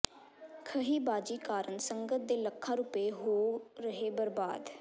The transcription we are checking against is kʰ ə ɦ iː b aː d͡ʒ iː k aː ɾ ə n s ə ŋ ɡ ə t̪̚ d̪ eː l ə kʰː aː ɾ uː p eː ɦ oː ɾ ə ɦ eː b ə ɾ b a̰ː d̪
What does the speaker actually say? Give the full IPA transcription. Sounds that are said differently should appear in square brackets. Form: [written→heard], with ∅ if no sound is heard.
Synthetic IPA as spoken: kʰ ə ɦ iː b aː d͡ʒ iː k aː ɾ ə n s ə ŋ ɡ ə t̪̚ d̪ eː l ə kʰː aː ɾ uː p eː ɦ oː ɾ ə ɦ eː b ə ɾ b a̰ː d̪